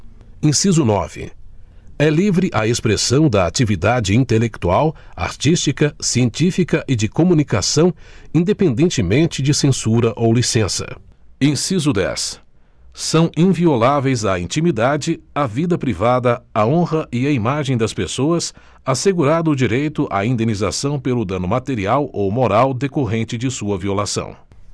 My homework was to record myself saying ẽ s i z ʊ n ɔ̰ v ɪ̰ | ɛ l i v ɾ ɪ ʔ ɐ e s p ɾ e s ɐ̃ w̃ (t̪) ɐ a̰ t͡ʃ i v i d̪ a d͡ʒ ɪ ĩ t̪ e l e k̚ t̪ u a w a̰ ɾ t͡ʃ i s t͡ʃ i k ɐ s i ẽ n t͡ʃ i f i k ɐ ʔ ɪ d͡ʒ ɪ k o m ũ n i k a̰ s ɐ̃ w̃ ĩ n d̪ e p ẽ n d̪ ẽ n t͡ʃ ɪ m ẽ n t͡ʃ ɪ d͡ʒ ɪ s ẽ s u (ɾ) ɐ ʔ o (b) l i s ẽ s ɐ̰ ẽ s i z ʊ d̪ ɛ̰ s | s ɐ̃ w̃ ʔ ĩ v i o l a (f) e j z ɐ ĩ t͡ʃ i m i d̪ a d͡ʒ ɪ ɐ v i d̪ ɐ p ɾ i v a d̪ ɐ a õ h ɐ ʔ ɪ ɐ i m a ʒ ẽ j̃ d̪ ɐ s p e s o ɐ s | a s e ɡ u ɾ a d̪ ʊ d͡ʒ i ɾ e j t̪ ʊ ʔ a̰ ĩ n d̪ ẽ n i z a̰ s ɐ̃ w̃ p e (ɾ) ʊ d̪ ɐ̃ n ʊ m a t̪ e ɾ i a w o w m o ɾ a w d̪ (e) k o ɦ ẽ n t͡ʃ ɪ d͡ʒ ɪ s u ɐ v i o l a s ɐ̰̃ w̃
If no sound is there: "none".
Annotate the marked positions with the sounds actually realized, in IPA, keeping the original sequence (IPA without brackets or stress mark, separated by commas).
d̪, ɾ, w, v, l, e